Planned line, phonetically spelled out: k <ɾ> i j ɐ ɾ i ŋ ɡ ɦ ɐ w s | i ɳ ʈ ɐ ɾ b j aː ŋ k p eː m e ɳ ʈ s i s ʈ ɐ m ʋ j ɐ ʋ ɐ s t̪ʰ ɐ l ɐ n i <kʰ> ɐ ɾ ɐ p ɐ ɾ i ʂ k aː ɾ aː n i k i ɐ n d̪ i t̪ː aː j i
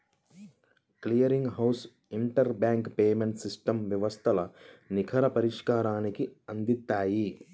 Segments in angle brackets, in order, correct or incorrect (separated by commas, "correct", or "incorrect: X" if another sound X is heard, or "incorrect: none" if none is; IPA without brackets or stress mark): incorrect: l, correct